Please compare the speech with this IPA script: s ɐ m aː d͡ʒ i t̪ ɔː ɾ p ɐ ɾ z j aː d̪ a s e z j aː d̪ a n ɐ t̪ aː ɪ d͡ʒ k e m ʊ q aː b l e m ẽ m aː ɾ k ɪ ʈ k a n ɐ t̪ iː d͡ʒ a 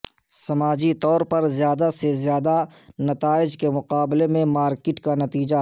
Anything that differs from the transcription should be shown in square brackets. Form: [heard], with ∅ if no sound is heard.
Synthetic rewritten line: s ɐ m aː d͡ʒ i t̪ ɔː ɾ p ɐ ɾ z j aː d̪ a s e z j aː d̪ a n ɐ t̪ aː ɪ d͡ʒ k e m ʊ q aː b l e m ẽ m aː ɾ k ɪ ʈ k a n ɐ t̪ iː d͡ʒ a